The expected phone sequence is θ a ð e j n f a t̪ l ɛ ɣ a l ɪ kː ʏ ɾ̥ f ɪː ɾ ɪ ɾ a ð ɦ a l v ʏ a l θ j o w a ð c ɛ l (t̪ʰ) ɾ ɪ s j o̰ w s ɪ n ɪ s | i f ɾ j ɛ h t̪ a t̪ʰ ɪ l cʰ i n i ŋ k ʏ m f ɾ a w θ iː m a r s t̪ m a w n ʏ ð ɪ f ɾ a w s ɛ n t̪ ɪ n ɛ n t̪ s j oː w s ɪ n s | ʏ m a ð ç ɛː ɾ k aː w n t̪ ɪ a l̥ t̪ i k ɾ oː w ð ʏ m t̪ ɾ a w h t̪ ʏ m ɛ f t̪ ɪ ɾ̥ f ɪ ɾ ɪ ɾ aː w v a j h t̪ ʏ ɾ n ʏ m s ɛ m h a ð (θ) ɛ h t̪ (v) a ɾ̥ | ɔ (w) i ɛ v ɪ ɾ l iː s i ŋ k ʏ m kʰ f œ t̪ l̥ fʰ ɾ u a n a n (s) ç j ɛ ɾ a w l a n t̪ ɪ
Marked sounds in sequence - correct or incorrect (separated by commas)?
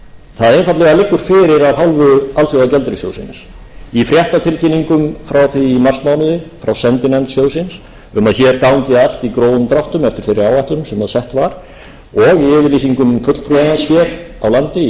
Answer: incorrect, incorrect, correct, incorrect, correct